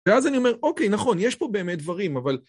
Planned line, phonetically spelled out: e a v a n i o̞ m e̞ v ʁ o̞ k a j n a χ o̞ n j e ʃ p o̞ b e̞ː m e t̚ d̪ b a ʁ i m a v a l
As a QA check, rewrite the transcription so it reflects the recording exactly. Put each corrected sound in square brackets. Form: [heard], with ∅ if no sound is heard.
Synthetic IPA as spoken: e a [z] a n i o̞ m e̞ [∅] ʁ o̞ k [e] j n a χ o̞ n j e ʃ p o̞ b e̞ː m e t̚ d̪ [v] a ʁ i m a v a l